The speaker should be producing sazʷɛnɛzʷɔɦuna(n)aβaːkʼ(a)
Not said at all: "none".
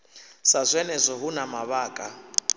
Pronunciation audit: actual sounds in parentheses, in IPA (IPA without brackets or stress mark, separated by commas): m, a